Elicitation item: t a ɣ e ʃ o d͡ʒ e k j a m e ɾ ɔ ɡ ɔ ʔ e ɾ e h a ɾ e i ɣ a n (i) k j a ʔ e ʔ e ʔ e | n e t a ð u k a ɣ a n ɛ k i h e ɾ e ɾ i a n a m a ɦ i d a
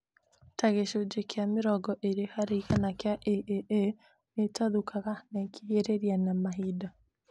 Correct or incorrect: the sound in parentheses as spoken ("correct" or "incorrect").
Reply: incorrect